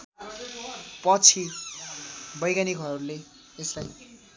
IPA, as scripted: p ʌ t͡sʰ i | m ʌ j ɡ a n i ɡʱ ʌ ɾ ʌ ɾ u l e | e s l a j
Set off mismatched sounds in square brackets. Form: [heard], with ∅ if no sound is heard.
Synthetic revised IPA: p ʌ t͡sʰ i | [b] ʌ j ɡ a n i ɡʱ ʌ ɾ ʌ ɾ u l e | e s l a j